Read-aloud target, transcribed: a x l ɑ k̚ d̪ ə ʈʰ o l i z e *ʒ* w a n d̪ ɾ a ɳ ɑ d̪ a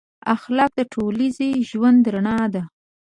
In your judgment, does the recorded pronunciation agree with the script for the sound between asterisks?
yes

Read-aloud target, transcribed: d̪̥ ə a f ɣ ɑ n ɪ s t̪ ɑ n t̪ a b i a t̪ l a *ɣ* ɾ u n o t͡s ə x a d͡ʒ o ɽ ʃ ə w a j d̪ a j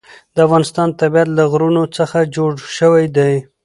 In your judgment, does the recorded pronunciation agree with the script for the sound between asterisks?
yes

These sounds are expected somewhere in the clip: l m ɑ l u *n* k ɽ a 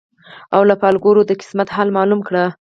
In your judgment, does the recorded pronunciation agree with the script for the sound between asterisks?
no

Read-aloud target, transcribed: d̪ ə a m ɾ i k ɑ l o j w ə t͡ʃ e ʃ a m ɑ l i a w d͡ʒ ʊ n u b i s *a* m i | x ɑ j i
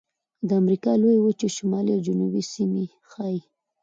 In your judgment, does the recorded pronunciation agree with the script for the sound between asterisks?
no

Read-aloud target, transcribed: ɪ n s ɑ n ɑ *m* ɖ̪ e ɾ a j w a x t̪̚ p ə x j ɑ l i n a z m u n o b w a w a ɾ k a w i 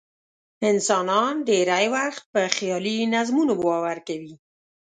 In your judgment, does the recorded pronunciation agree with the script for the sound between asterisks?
no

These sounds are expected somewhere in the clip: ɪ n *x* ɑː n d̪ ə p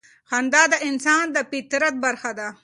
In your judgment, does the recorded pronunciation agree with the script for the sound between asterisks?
no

